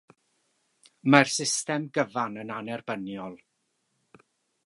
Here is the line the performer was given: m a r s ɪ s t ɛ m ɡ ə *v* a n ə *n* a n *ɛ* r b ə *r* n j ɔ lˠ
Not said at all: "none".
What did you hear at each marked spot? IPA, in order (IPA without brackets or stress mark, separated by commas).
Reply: v, n, ɛ, none